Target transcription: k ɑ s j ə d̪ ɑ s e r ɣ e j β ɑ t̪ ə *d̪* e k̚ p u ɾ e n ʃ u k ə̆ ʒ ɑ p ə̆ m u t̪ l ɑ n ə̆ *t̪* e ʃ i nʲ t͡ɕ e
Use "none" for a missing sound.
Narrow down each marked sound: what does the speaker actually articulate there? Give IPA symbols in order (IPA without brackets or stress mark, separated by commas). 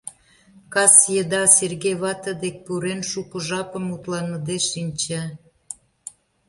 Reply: d̪, d̪